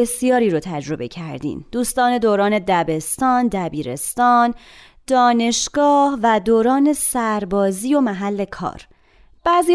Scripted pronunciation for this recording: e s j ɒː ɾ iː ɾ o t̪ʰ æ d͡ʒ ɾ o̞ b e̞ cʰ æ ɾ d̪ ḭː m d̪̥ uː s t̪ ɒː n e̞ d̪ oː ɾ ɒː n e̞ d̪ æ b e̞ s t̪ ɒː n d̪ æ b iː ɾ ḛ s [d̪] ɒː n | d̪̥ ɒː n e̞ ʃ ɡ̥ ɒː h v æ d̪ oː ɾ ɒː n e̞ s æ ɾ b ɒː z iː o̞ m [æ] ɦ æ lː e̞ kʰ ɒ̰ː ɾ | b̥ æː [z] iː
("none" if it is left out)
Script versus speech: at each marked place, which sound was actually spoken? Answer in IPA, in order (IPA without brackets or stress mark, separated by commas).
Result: t̪, æ, z